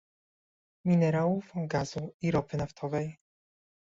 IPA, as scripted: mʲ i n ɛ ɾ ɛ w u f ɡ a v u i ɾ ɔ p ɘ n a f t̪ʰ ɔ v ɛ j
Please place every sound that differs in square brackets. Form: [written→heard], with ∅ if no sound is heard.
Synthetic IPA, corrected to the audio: mʲ i n ɛ ɾ [ɛ→a] w u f ɡ a [v→z] u i ɾ ɔ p ɘ n a f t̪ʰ ɔ v ɛ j